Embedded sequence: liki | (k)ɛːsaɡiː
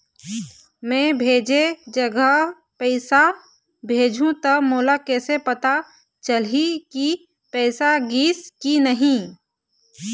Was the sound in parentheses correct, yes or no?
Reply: no